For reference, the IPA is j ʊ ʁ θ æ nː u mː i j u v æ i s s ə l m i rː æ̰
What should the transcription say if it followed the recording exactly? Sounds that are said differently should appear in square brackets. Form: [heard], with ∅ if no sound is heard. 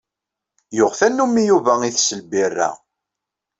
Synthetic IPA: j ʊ ʁ θ æ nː u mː i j u v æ i [θ] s ə l [b] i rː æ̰